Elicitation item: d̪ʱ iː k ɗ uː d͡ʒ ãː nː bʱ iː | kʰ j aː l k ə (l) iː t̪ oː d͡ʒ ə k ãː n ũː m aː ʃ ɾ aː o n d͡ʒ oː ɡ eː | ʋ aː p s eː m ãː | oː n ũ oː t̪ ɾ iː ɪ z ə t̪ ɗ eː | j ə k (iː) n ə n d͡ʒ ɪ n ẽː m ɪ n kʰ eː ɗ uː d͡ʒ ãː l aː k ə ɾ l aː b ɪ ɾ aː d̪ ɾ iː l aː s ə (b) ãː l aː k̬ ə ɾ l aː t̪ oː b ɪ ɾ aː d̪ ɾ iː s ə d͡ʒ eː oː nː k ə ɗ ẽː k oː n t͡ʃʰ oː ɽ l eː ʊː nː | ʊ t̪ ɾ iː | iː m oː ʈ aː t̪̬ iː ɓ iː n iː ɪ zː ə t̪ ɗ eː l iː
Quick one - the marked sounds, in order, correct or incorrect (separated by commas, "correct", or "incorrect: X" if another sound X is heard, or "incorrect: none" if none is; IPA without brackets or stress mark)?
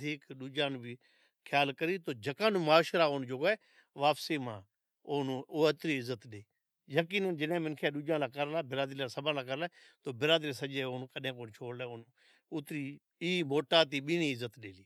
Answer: incorrect: ɾ, correct, correct